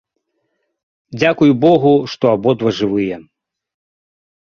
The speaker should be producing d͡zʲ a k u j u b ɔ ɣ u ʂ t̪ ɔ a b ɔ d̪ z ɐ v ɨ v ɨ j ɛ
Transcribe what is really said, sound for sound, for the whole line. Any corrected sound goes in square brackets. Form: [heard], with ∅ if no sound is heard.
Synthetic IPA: d͡zʲ a k u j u b ɔ ɣ u ʂ t̪ ɔ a b ɔ d̪ [v] ɐ [ʐ] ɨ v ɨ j ɛ